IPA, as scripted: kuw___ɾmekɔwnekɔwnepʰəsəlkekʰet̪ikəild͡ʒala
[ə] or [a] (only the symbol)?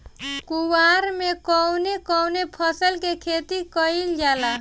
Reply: a